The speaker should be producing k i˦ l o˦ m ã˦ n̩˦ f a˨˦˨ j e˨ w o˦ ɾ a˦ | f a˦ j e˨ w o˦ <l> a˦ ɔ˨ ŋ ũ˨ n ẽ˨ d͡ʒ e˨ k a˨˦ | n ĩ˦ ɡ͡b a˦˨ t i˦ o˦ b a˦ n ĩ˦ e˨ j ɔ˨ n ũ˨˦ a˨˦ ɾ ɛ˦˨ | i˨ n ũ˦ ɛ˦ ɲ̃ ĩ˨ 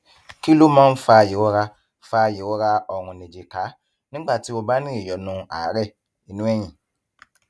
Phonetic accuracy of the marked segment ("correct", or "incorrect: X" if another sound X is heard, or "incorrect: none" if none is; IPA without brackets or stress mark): incorrect: ɾ